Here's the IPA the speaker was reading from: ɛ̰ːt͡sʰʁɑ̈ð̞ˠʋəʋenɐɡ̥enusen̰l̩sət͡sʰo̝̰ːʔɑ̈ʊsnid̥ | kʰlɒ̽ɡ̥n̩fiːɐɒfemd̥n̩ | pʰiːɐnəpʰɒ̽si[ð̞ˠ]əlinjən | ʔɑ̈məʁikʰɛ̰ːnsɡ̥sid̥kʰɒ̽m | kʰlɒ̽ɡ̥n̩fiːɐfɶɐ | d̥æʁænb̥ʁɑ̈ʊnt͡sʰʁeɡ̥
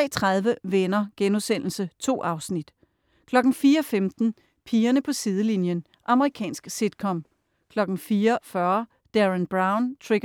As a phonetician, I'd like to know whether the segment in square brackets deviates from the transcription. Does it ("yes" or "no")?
no